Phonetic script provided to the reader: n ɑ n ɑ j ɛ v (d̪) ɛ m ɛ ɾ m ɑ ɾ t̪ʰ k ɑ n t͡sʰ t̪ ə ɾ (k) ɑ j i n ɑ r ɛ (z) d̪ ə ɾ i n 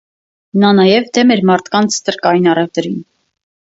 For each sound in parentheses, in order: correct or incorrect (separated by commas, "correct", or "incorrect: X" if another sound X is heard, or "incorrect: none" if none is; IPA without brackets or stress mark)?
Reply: correct, correct, incorrect: v